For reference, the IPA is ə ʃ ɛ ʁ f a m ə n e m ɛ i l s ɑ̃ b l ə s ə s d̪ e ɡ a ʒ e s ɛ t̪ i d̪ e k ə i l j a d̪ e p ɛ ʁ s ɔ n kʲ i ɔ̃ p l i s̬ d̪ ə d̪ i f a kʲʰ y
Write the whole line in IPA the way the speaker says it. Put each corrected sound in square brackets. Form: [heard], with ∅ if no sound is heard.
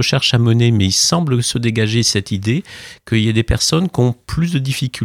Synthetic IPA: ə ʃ ɛ ʁ [ʃ] a m ə n e m ɛ i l s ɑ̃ b l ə s ə [∅] d̪ e ɡ a ʒ e s ɛ t̪ i d̪ e k ə i l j a d̪ e p ɛ ʁ s ɔ n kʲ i ɔ̃ p l [y] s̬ d̪ ə d̪ i f [i] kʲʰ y